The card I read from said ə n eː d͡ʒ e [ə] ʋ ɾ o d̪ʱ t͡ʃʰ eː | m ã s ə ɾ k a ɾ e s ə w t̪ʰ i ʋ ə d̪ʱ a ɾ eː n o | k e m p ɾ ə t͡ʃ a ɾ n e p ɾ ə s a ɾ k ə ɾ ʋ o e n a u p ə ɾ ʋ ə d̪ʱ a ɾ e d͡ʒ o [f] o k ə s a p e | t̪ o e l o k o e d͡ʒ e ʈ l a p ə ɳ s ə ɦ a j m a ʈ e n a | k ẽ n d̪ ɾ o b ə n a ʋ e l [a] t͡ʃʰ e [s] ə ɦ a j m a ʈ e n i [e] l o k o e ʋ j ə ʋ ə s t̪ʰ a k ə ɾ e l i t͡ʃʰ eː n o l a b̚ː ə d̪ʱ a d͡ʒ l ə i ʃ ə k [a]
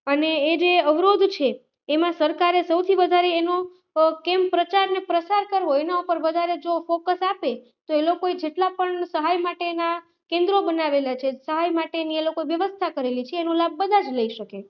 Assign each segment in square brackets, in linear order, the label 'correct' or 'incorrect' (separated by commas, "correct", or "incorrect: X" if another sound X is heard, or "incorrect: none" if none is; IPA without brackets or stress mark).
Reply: correct, correct, correct, correct, correct, incorrect: e